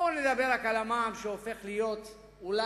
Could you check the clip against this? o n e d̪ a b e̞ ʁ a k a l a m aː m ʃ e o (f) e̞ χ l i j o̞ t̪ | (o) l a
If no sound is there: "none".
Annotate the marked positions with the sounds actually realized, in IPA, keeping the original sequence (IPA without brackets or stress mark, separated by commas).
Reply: f, u